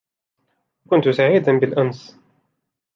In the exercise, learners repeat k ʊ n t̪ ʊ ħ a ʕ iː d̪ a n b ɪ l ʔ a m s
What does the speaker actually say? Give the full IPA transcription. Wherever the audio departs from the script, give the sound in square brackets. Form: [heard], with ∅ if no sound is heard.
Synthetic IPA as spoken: k ʊ n t̪ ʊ [s] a ʕ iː d̪ a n b ɪ l ʔ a [n] s